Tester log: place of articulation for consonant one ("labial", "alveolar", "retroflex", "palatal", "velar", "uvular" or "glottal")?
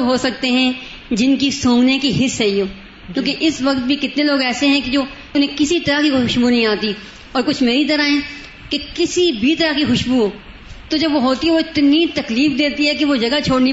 glottal